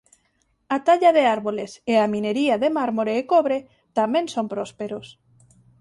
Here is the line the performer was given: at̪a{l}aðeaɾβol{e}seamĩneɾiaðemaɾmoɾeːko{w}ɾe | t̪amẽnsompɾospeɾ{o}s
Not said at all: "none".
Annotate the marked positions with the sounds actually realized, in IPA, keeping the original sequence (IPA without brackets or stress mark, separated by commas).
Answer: ʎ, e, β, o